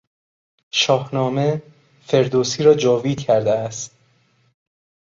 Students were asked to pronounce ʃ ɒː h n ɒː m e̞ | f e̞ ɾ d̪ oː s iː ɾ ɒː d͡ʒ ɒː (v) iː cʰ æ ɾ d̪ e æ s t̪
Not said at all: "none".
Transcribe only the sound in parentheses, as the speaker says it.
v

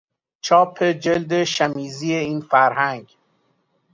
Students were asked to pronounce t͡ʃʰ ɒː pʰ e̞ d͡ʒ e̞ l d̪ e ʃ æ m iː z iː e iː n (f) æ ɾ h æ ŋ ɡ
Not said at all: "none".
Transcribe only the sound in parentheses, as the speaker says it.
f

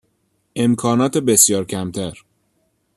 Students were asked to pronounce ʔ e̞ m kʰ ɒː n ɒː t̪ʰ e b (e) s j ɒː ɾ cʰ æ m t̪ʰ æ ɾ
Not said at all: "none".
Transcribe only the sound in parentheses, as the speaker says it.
e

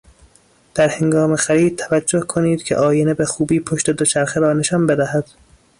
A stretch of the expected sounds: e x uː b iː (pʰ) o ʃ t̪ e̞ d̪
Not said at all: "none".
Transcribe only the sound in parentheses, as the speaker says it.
pʰ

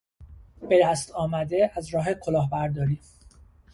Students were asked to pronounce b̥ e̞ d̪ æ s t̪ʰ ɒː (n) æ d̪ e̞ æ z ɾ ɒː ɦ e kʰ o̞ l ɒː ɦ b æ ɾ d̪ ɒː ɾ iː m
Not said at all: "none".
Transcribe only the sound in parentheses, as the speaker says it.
m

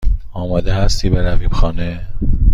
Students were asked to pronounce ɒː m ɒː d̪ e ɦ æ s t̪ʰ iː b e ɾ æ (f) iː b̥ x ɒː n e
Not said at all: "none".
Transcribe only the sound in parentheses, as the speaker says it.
v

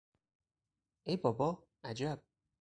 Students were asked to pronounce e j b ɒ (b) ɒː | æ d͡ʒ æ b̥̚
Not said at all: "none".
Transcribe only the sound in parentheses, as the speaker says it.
b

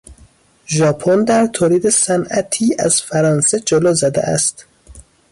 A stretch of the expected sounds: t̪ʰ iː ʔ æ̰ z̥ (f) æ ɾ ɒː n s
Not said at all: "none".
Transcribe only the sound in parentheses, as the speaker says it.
f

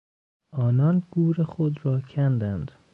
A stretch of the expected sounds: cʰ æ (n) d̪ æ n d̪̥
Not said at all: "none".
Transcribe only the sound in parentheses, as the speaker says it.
n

